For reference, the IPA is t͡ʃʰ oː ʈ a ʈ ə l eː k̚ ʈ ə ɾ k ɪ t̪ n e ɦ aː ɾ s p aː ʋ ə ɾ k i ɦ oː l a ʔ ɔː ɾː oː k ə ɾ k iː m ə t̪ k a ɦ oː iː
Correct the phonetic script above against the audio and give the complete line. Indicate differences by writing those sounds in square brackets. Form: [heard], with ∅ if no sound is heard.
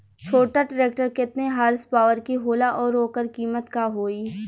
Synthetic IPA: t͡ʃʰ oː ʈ a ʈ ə [ɾ] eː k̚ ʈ ə ɾ k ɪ t̪ n e ɦ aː ɾ s p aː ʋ ə ɾ k i ɦ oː l a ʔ ɔː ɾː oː k ə ɾ k iː m ə t̪ k a ɦ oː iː